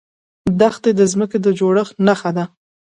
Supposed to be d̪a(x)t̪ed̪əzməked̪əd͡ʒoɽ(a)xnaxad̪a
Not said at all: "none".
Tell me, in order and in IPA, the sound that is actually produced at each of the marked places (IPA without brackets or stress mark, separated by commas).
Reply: x, ə